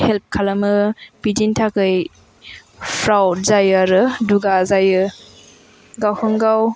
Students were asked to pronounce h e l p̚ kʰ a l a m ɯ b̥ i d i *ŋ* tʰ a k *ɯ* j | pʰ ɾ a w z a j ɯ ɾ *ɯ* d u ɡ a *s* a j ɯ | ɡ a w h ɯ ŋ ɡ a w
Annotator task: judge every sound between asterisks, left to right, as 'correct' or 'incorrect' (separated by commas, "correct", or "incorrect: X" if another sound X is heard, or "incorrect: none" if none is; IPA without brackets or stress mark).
incorrect: n, correct, correct, incorrect: z